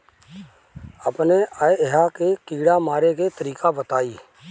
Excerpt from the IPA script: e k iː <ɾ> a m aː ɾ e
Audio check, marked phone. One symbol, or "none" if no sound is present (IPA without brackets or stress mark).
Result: ɽ